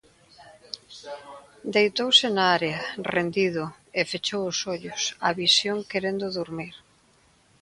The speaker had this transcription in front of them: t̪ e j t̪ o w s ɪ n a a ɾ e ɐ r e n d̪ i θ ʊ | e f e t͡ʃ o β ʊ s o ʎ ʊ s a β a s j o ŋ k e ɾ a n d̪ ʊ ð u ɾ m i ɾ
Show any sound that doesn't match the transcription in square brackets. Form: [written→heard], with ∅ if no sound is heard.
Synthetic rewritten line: [t̪→d̪] e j t̪ o w s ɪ n a a ɾ e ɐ r e n d̪ i [θ→ð] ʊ | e f e t͡ʃ o [β→w] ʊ s o ʎ ʊ s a β [a→i] s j o ŋ k e ɾ [a→e] n d̪ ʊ ð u ɾ m i ɾ